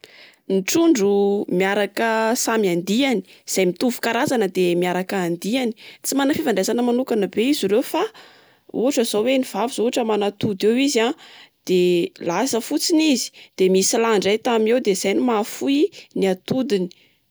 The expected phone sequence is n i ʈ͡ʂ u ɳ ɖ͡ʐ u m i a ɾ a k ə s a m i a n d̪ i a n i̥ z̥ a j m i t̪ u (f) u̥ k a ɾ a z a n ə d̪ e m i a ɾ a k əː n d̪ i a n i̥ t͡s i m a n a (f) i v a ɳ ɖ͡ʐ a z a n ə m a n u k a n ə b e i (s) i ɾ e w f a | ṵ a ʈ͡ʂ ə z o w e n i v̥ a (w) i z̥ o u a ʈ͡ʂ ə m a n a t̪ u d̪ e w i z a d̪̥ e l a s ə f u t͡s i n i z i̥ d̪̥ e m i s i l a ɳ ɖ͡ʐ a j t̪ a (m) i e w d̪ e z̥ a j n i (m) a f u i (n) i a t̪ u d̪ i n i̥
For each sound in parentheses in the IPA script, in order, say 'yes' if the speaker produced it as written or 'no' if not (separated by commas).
no, yes, no, no, yes, yes, yes